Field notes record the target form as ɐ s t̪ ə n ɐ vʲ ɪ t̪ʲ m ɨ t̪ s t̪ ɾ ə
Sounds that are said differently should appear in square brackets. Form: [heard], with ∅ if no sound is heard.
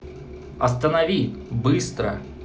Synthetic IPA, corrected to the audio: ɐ s t̪ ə n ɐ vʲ [i] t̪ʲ [b] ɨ [∅] s t̪ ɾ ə